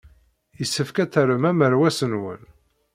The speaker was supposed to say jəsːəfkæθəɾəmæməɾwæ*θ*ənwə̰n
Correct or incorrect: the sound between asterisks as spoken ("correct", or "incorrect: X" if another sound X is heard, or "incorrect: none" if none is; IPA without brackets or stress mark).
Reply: incorrect: s